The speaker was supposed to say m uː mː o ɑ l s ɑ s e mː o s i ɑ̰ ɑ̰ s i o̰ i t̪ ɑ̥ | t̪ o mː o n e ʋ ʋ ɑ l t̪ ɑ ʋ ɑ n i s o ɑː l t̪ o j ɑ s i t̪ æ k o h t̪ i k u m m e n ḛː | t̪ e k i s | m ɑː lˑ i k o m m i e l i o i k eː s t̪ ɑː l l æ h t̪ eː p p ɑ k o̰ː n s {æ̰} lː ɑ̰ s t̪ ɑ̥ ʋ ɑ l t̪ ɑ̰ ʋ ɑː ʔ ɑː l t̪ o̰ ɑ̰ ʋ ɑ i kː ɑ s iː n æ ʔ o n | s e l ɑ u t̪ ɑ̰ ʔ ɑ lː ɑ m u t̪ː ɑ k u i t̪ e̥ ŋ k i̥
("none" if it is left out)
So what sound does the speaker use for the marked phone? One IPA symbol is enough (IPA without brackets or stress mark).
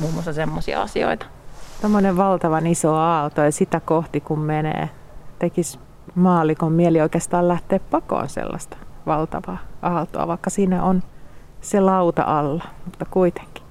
ḛ